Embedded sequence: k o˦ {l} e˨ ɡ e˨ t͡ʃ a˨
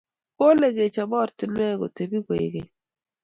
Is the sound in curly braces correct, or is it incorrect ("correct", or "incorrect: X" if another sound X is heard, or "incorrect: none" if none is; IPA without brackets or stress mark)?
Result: correct